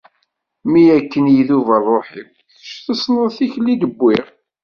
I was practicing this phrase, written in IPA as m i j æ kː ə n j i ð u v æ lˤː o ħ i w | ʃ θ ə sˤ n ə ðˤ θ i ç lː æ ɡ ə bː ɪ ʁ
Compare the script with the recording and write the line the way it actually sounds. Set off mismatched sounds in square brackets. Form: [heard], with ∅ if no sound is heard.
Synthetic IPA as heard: m i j æ kː ə n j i ð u v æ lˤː o ħ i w | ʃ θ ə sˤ n ə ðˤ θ i ç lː [i] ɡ ə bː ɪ ʁ